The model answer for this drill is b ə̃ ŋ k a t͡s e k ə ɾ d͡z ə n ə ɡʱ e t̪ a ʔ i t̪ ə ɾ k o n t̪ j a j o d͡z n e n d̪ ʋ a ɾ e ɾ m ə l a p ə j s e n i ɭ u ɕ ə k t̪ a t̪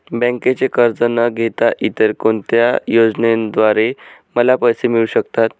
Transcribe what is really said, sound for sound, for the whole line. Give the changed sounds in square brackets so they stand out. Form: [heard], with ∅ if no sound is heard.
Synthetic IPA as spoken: b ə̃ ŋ k [e] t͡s e k ə ɾ d͡z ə n ə ɡʱ e t̪ a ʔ i t̪ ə ɾ k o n t̪ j a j o d͡z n e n d̪ ʋ a ɾ e [∅] m ə l a p ə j s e [m] i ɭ u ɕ ə k t̪ a t̪